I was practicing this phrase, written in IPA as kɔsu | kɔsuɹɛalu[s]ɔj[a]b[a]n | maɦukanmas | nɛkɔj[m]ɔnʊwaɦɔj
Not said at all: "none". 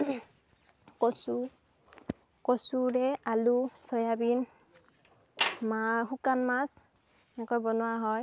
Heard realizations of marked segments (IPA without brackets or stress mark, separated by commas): s, a, i, b